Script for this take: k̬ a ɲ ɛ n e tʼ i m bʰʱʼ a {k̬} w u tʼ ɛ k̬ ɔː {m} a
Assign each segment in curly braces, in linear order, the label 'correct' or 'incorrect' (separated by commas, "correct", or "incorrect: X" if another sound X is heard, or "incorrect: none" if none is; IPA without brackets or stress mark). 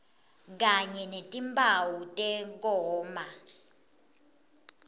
incorrect: none, correct